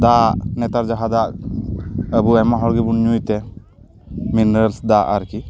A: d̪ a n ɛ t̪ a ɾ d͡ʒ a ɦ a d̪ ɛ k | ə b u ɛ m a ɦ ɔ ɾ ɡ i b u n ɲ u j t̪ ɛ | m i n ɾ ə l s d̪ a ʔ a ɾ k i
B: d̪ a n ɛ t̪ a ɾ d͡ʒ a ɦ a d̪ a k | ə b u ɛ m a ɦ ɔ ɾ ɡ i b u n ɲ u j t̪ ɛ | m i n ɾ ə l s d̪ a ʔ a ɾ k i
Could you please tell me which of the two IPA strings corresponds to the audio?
B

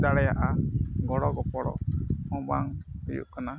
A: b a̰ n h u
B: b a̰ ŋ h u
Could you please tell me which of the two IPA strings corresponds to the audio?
B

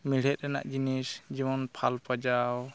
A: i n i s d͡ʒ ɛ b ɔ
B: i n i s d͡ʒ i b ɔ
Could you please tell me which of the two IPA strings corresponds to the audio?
B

